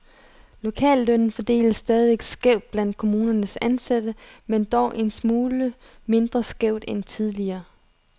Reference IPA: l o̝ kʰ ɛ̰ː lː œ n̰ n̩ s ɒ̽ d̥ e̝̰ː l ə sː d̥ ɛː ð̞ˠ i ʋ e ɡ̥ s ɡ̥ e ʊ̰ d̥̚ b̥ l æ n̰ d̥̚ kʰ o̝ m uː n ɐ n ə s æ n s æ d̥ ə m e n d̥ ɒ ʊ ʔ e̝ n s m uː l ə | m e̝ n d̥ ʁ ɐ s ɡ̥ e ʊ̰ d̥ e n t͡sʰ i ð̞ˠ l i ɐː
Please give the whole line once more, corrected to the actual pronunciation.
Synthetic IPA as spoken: l o̝ kʰ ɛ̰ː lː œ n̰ n̩ f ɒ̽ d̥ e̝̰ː l ə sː d̥ ɛː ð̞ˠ i ʋ e ɡ̥ s ɡ̥ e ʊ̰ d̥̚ b̥ l æ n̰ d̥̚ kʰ o̝ m uː n ɐ n ə s æ n s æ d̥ ə m e n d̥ ɒ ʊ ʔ e̝ n s m uː l ə | m e̝ n d̥ ʁ ɐ s ɡ̥ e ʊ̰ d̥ e n t͡sʰ i ð̞ˠ l i ɐː